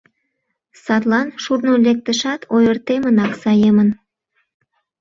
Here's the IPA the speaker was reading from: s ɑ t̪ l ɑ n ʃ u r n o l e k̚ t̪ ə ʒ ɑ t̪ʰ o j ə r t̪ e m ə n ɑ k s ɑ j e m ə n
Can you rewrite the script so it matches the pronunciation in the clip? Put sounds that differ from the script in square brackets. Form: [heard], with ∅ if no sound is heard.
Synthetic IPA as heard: s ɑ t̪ l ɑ n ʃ u r n o l e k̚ t̪ ə [ʃ] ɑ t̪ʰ o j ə r t̪ e m ə n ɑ k s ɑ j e m ə n